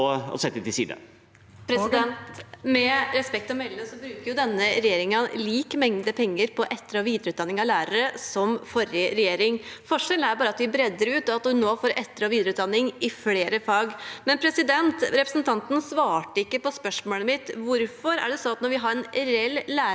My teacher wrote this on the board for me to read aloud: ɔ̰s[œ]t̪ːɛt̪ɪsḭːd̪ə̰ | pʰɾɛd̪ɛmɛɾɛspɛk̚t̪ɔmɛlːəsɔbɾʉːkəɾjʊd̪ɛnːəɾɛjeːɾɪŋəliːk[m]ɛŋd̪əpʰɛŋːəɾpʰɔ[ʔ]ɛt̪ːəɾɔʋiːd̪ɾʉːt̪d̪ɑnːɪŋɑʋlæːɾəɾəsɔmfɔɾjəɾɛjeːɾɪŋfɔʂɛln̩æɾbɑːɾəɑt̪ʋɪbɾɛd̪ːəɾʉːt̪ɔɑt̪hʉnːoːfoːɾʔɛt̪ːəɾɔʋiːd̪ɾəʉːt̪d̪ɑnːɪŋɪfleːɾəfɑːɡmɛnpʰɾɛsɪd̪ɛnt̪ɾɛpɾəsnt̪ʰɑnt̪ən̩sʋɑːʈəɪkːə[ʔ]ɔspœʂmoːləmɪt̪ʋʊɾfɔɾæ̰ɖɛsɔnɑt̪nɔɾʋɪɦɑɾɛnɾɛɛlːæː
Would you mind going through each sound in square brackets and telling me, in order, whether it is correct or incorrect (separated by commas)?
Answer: incorrect, correct, correct, incorrect